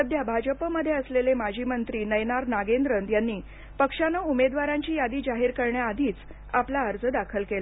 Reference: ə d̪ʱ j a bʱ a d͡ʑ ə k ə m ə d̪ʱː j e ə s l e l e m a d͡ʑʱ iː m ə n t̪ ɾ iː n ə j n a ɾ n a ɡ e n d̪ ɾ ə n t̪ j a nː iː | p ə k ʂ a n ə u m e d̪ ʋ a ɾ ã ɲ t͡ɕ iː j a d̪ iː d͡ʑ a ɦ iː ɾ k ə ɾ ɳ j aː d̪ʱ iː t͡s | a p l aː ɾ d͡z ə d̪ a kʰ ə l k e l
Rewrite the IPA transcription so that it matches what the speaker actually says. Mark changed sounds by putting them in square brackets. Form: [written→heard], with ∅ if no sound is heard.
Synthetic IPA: ə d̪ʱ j a bʱ a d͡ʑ ə [k→p] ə m ə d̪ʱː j e ə s l e l e m a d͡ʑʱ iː m ə n t̪ ɾ iː n ə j n a ɾ n a ɡ e n d̪ ɾ ə n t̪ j a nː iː | p ə k ʂ a n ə u m e d̪ ʋ a ɾ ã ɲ t͡ɕ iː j a d̪ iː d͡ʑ a ɦ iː ɾ k ə ɾ ɳ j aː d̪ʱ iː t͡s | a p l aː ɾ d͡z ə d̪ a kʰ ə l k e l

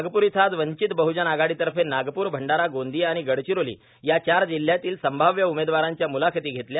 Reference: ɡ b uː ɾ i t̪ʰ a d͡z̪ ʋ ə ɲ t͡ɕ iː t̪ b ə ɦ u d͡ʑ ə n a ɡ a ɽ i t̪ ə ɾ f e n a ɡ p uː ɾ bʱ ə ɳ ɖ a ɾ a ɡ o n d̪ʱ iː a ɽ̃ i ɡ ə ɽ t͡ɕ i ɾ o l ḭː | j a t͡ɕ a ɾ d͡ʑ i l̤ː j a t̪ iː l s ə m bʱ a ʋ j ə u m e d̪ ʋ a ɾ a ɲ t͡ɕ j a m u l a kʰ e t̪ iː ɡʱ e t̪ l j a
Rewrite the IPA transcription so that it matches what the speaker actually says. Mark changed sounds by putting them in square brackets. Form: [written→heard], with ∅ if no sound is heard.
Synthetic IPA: ɡ [b→p] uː ɾ i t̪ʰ a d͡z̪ ʋ ə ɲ t͡ɕ [iː→i] t̪ b ə ɦ u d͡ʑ ə n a ɡ a ɽ i t̪ ə ɾ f e n a ɡ p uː ɾ bʱ ə ɳ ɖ a ɾ a ɡ o n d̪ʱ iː a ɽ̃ i ɡ ə ɽ t͡ɕ i ɾ o l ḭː | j a t͡ɕ a ɾ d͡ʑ i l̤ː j a t̪ iː l s ə m bʱ a ʋ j ə u m e d̪ ʋ a ɾ a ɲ t͡ɕ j a m u l a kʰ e t̪ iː ɡʱ e t̪ l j a

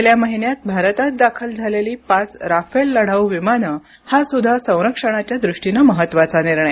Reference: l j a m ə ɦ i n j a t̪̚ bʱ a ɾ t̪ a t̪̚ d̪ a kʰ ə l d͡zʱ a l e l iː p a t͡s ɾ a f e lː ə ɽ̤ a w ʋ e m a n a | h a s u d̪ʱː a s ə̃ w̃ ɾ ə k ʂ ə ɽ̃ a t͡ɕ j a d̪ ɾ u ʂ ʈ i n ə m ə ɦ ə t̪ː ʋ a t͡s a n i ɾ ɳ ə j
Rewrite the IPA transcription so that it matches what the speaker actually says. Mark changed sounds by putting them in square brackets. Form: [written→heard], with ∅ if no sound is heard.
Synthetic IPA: l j a m ə ɦ i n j a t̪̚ bʱ a ɾ t̪ a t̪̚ d̪ a kʰ ə l d͡zʱ a l e l iː p a t͡s ɾ a f e lː ə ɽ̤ a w ʋ [e→i] m a n [a→ə] | h a s u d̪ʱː a s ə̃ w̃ ɾ ə k ʂ ə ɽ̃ a t͡ɕ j a d̪ ɾ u ʂ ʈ i n ə m ə ɦ ə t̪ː ʋ a t͡s a n i ɾ ɳ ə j

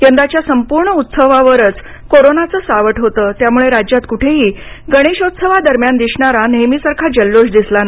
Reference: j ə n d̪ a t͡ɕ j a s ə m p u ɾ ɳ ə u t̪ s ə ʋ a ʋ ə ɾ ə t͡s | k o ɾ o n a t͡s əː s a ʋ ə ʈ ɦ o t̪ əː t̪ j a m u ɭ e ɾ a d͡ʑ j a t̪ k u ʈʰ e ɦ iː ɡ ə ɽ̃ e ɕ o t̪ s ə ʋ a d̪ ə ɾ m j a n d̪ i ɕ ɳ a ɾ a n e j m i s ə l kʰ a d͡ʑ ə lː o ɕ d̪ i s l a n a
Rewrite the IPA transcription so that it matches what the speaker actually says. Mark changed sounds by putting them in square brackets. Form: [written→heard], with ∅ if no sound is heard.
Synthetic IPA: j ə n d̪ a t͡ɕ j a s ə m p u ɾ ɳ ə u t̪ s ə ʋ a ʋ ə ɾ ə t͡s | k o ɾ o n a t͡s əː s a ʋ ə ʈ ɦ o t̪ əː t̪ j a m u ɭ e ɾ a d͡ʑ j a t̪ k u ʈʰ e ɦ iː ɡ ə ɽ̃ e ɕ o t̪ s ə ʋ a d̪ ə ɾ m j a n d̪ i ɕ ɳ a ɾ a n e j m i s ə [l→ɾ] kʰ a d͡ʑ ə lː o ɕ d̪ i s l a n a

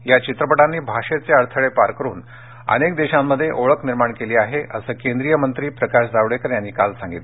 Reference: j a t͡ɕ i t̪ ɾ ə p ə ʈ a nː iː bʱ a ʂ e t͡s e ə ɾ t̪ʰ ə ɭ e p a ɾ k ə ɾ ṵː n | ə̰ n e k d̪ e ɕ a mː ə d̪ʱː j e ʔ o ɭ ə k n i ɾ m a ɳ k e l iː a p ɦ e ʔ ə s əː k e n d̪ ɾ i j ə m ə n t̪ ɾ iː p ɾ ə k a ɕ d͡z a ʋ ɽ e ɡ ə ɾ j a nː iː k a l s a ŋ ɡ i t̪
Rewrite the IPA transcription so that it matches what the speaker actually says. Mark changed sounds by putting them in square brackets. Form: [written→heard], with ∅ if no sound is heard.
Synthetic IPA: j a t͡ɕ i t̪ ɾ ə p ə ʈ a nː iː bʱ a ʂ e t͡s e ə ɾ t̪ʰ ə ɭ e p a ɾ k ə ɾ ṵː n | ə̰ n e k d̪ e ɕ a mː ə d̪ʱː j e ʔ o ɭ ə k n i ɾ m a ɳ k e l iː a [p→∅] ɦ e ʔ ə s əː k e n d̪ ɾ i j ə m ə n t̪ ɾ iː p ɾ ə k a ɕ d͡z a ʋ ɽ e [ɡ→k] ə ɾ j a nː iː k a l s a ŋ ɡ i t̪

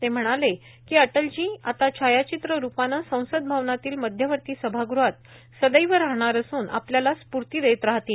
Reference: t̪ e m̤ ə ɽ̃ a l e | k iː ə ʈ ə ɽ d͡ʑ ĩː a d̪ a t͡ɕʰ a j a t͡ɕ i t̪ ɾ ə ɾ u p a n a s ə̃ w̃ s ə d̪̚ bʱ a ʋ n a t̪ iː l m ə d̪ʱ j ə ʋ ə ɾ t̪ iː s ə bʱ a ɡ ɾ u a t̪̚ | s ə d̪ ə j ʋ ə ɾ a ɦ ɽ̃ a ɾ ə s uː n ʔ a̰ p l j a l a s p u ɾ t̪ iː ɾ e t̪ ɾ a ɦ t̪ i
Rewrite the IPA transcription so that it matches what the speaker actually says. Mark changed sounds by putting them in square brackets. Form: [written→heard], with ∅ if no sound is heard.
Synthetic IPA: t̪ e m̤ ə ɽ̃ a l e | k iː ə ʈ ə [ɽ→l] d͡ʑ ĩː a [d̪→t̪] a t͡ɕʰ a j a t͡ɕ i t̪ ɾ ə ɾ u p a n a s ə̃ w̃ s ə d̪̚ bʱ a ʋ n a t̪ iː l m ə d̪ʱ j ə ʋ ə ɾ t̪ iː s ə bʱ a ɡ ɾ u a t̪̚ | s ə d̪ ə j ʋ ə ɾ a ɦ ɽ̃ a ɾ ə s uː n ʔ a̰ p l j a l a s p u ɾ t̪ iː ɾ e t̪ ɾ a ɦ t̪ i

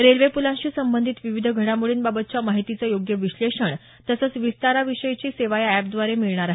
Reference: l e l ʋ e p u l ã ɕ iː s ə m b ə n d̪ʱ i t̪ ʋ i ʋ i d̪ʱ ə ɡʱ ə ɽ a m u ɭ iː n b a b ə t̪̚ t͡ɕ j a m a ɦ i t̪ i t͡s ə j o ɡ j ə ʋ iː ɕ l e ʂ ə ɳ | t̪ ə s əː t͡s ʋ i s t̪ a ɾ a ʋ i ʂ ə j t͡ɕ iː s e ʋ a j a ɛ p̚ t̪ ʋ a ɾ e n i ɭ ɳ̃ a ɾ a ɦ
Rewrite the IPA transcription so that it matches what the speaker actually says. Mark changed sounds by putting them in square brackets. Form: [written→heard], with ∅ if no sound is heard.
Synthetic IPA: [l→ɾ] e l ʋ e p u l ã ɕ iː s ə m b ə n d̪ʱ i t̪ ʋ i ʋ i d̪ʱ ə ɡʱ ə ɽ a m u ɭ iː n b a b ə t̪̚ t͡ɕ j a m a ɦ i t̪ i t͡s ə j o ɡ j ə ʋ [iː→i] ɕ l e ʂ ə ɳ | t̪ ə s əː t͡s ʋ i s t̪ a ɾ a ʋ i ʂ ə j t͡ɕ iː s e ʋ a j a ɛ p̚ [t̪→d̪] ʋ a ɾ e [n→m] i ɭ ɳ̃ a ɾ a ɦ

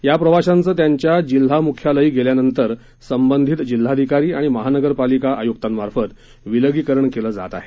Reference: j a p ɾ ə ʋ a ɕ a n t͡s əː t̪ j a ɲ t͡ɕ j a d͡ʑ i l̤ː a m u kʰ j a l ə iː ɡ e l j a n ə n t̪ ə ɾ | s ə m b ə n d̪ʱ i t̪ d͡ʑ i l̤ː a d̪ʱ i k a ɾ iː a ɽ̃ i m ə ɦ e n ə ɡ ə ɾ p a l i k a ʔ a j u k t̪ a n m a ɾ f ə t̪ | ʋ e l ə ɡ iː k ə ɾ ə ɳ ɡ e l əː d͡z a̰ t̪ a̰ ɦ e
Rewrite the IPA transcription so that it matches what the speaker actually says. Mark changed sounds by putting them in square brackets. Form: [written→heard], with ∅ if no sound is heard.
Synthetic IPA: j a p ɾ ə ʋ a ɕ a n t͡s əː t̪ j a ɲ t͡ɕ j a d͡ʑ i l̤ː a m u kʰ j a l ə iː ɡ e l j a n ə n t̪ ə ɾ | s ə m b ə n d̪ʱ i t̪ d͡ʑ i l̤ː a d̪ʱ i k a ɾ iː a ɽ̃ i m ə ɦ [e→a] n ə ɡ ə ɾ p a l i k a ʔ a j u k t̪ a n m a ɾ f ə t̪ | ʋ [e→i] l ə ɡ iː k ə ɾ ə ɳ [ɡ→k] e l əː d͡z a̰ t̪ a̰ ɦ e

